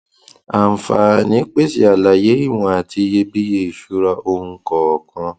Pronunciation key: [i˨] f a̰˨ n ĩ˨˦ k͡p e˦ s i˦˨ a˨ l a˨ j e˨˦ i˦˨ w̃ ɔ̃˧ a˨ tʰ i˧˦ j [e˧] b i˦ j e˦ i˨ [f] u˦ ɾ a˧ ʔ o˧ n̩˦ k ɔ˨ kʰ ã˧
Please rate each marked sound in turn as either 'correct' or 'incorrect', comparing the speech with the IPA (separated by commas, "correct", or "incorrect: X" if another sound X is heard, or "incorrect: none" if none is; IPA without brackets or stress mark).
incorrect: a˨, correct, incorrect: ʃ